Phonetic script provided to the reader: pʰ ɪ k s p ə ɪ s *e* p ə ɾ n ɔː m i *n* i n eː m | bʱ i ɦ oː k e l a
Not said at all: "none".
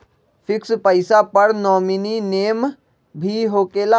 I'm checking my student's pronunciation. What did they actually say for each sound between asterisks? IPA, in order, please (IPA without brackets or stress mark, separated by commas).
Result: a, n